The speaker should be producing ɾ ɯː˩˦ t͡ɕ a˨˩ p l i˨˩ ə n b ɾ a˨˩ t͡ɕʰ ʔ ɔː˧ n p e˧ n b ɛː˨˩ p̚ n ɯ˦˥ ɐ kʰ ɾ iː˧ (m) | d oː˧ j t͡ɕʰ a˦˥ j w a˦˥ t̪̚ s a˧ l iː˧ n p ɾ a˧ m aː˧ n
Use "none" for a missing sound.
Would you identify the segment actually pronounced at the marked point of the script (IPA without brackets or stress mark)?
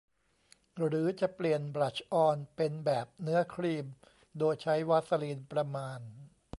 m